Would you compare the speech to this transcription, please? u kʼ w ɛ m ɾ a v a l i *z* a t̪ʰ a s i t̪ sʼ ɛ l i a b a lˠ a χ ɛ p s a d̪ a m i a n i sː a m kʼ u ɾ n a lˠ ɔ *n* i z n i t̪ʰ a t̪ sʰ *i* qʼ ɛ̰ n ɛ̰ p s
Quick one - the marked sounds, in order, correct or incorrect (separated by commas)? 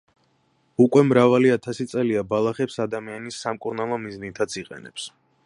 incorrect, incorrect, correct